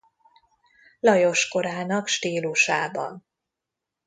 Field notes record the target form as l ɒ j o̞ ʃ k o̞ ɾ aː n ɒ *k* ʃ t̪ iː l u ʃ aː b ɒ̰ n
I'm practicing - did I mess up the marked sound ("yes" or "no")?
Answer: no